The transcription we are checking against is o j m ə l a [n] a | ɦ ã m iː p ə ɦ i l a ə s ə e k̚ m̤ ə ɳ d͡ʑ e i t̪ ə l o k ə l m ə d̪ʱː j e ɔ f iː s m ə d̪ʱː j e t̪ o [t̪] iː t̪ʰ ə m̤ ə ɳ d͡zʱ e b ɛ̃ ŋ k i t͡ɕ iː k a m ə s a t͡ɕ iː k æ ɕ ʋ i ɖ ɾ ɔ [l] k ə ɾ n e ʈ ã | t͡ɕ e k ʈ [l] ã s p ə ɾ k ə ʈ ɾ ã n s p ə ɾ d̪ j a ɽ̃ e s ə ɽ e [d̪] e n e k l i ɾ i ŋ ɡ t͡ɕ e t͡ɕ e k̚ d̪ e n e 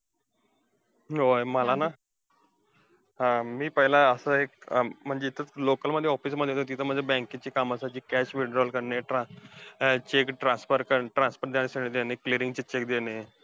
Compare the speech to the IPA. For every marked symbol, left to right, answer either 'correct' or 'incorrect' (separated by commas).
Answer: correct, correct, correct, incorrect, correct